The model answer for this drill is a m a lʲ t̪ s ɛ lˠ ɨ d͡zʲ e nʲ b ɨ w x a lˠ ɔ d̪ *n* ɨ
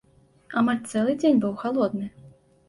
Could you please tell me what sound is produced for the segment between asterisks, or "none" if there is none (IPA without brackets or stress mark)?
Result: n